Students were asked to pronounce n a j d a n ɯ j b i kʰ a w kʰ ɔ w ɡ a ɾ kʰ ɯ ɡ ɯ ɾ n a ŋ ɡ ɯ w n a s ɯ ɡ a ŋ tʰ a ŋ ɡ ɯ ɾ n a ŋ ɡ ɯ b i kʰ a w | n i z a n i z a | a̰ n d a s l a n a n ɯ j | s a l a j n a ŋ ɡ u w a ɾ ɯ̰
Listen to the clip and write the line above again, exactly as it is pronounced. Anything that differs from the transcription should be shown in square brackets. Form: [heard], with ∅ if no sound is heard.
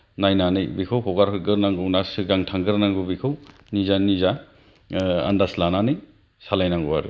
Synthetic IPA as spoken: n a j [n] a n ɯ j b i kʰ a w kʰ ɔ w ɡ a ɾ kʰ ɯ ɡ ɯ ɾ n a ŋ ɡ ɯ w n a s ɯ ɡ a ŋ tʰ a ŋ ɡ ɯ ɾ n a ŋ ɡ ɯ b i kʰ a w | n i z a n i z a | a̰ n d a s l a n a n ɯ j | s a l a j n a ŋ ɡ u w a ɾ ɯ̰